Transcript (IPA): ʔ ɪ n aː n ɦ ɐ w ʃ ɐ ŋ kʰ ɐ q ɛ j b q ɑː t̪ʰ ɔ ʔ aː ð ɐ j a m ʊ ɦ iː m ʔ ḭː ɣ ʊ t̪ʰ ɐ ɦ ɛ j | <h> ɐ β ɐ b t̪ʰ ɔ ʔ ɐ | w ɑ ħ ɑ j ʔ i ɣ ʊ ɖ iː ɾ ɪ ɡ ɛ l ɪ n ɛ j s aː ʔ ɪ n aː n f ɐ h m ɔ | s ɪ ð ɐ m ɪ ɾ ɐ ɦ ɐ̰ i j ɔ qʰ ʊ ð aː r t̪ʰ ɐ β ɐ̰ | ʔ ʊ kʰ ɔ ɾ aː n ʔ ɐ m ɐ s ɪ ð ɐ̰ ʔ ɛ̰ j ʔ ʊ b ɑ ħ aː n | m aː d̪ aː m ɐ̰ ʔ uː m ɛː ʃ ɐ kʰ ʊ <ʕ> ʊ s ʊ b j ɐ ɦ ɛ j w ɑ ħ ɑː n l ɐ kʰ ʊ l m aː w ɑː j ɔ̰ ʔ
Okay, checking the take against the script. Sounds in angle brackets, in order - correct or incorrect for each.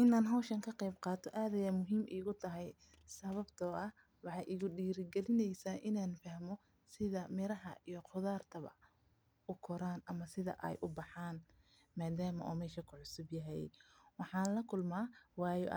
incorrect: s, correct

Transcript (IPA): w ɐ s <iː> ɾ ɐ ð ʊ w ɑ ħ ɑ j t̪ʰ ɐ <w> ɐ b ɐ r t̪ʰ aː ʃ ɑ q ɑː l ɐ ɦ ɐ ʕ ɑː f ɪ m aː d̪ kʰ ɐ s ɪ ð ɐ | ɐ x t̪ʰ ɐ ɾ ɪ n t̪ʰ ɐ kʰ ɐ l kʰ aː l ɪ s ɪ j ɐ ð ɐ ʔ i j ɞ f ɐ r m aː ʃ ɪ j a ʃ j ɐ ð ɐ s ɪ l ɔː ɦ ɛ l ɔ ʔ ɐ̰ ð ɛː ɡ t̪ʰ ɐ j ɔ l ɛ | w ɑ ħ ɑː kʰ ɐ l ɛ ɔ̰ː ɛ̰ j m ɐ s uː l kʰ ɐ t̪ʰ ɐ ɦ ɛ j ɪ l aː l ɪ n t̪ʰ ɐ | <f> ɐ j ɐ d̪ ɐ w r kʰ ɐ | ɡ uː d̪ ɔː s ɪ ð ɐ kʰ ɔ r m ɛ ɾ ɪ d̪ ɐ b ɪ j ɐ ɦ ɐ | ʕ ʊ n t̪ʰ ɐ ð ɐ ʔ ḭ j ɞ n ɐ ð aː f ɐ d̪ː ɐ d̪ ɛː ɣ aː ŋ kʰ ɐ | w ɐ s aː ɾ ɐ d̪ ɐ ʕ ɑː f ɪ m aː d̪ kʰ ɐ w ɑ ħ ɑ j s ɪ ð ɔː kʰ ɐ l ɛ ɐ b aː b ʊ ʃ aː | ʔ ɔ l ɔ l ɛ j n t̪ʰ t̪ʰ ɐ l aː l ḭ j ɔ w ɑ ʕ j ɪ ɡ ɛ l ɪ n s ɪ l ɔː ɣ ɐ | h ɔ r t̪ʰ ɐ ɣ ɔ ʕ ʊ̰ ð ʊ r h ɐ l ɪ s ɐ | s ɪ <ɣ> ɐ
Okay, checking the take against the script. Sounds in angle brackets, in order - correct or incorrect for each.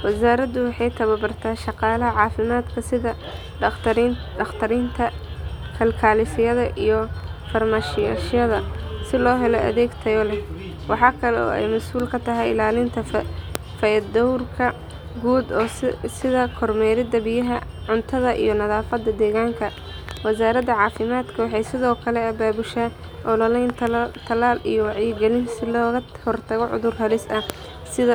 incorrect: aː, incorrect: β, correct, incorrect: ð

